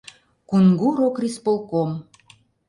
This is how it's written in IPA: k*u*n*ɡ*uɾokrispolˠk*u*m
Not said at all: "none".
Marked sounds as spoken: u, ɡ, o

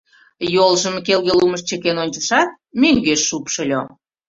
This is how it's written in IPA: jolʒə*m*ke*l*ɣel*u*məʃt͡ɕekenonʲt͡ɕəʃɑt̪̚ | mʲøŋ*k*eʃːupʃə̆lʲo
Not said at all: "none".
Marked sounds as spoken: m, l, u, ɡ

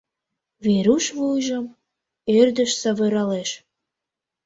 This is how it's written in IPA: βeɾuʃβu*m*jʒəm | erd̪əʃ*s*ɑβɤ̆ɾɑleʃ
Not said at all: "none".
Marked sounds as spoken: none, s

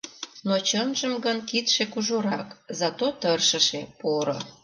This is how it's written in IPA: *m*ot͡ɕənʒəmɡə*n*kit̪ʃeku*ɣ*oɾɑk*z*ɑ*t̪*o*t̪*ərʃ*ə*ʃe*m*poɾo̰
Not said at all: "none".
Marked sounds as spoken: n, n, ʒ, z, t̪, t̪, ə, none

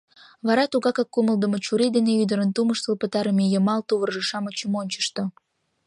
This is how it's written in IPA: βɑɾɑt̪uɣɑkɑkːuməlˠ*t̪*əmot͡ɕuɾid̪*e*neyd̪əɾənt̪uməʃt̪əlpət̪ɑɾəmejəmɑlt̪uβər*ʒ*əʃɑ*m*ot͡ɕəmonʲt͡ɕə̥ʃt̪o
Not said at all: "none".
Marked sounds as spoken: d̪, e, ʒ, m

